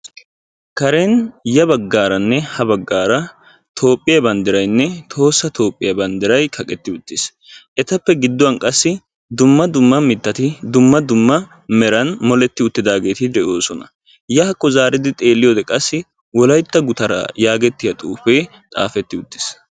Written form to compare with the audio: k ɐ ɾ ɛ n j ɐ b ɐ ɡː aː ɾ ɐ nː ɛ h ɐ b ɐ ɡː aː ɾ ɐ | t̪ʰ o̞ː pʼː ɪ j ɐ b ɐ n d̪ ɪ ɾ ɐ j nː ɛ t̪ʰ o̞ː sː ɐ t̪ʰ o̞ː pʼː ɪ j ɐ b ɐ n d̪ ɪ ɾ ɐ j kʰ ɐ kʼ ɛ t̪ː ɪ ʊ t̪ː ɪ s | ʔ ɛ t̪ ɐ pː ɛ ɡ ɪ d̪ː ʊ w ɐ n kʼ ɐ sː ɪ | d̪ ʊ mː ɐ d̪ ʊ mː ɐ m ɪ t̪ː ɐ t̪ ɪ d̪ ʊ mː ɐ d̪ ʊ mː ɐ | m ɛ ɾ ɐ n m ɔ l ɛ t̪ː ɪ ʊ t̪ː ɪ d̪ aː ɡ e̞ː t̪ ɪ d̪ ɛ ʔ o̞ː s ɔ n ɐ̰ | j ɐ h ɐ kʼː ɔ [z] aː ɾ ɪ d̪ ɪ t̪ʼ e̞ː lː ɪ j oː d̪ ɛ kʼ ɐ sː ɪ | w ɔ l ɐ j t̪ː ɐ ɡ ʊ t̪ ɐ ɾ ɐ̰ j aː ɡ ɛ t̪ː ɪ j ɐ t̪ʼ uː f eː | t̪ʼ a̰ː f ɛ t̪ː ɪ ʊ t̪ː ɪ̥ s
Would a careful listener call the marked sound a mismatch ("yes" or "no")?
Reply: no